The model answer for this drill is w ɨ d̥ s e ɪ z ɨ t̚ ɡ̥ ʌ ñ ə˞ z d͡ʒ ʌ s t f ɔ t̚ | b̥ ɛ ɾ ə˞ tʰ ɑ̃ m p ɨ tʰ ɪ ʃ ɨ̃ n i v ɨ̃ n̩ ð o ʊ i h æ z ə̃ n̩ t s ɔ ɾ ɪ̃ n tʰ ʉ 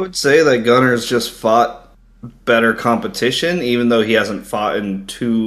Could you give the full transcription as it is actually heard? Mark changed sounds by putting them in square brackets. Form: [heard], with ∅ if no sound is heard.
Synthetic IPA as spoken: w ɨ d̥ s e ɪ [ð] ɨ t̚ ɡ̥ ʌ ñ ə˞ z d͡ʒ ʌ s t f ɔ t̚ | b̥ ɛ ɾ ə˞ [kʰ] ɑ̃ m p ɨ tʰ ɪ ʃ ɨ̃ n i v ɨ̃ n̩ ð o ʊ i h æ z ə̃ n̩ t [f] ɔ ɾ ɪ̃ n tʰ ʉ